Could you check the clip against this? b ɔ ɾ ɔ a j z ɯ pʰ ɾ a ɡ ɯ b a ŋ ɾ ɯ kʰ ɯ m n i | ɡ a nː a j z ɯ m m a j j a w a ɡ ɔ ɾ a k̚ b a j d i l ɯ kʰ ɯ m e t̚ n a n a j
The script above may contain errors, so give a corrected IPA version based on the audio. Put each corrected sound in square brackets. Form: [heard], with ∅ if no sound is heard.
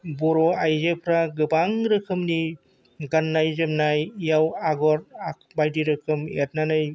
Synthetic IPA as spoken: b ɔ ɾ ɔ a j z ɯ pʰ ɾ a ɡ ɯ b a ŋ ɾ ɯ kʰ ɯ m n i | ɡ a nː a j z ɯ m [n] a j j a w a ɡ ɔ ɾ a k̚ b a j d i [ɾ] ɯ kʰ ɯ m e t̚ n a n a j